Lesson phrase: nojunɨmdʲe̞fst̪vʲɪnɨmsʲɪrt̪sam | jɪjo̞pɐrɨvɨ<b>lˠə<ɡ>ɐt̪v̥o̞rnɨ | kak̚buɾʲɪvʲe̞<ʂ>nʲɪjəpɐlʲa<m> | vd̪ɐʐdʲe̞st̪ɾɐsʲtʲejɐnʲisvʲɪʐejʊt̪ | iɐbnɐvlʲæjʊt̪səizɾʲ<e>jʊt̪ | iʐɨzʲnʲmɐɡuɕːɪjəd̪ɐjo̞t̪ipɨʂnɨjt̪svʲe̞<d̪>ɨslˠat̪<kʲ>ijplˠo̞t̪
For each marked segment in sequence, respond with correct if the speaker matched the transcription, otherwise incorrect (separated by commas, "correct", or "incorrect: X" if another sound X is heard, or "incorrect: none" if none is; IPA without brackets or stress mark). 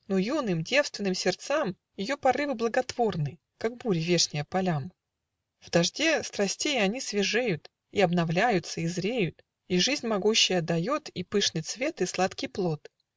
correct, correct, correct, correct, correct, incorrect: t̪, correct